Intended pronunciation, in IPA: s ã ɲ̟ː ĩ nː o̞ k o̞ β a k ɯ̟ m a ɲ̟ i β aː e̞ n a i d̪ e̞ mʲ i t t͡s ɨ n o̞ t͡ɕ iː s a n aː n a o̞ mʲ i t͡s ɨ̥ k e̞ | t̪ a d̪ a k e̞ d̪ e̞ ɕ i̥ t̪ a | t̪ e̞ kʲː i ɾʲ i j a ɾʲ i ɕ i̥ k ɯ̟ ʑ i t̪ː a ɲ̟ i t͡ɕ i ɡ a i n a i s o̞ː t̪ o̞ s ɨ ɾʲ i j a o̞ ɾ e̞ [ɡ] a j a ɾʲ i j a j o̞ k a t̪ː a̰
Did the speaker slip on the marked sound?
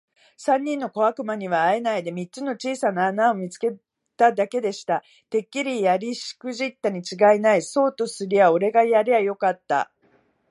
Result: no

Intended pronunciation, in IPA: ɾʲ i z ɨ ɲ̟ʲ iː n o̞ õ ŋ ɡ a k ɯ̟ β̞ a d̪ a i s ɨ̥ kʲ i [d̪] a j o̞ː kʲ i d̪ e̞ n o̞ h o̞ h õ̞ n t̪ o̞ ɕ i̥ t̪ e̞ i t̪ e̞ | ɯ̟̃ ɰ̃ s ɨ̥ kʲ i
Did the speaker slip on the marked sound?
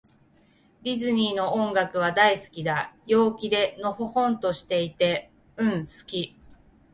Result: no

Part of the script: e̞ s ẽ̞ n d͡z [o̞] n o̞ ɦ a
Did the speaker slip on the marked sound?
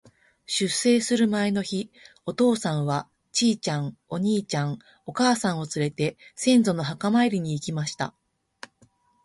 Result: no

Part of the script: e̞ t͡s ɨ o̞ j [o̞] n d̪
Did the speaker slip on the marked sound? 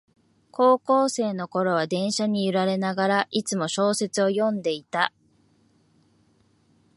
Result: yes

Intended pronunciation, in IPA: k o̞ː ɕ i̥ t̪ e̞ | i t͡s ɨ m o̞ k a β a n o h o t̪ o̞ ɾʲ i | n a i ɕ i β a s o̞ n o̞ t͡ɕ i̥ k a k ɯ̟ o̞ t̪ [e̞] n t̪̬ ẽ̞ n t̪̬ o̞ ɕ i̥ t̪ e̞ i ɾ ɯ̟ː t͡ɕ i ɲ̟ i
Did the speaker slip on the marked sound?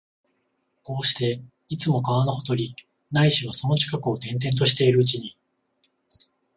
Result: yes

